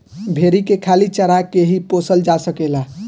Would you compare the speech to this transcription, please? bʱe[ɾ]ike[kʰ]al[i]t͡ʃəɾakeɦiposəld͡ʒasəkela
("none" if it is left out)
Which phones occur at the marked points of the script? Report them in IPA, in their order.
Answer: ɾ, kʰ, i

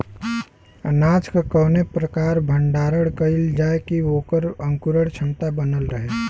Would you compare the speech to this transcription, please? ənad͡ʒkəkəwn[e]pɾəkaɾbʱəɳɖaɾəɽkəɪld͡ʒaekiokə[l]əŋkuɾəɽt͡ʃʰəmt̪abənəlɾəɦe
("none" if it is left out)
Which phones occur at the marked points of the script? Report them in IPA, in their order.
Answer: e, ɾ

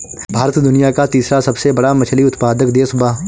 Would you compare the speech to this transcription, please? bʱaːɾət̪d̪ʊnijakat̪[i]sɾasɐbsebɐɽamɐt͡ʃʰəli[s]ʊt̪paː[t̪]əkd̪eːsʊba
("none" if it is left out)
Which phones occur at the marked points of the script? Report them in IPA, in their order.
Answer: iː, none, d̪

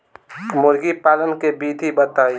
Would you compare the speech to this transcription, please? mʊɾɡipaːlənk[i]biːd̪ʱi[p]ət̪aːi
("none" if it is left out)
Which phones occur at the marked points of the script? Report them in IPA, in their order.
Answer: e, b

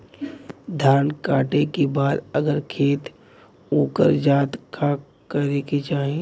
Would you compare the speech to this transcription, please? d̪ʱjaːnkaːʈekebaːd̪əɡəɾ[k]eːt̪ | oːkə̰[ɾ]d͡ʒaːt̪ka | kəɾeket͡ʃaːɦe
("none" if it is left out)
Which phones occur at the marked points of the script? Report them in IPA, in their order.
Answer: kʰ, ɾ

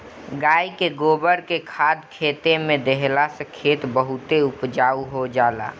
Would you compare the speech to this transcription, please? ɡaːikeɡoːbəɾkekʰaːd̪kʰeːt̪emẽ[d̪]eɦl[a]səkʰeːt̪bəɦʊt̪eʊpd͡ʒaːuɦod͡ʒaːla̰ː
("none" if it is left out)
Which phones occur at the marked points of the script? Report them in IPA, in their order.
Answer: d̪, a

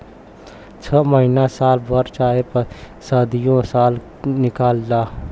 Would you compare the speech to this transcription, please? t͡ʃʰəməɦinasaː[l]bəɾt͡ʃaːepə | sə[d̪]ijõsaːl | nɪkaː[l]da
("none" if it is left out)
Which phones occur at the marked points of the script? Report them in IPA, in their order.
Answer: l, d̪, l

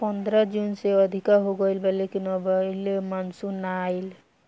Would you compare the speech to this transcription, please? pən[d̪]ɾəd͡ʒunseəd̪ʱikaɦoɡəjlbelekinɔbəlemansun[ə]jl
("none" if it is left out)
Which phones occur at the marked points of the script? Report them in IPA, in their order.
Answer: d̪, a

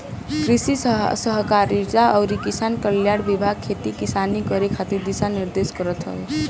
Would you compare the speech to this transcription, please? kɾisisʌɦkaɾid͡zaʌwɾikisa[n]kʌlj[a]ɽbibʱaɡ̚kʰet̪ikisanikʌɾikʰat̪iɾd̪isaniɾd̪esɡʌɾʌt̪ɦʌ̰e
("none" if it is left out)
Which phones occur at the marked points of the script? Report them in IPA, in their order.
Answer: n, a

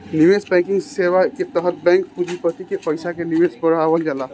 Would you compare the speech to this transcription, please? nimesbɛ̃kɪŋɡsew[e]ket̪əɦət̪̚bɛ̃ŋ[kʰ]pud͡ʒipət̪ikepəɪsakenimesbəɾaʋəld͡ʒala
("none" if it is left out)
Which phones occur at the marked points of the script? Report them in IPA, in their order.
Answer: a, k

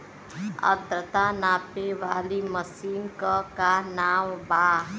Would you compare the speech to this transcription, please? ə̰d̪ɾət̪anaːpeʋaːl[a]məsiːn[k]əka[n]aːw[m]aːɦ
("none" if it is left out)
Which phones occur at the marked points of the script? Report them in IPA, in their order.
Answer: i, k, n, b

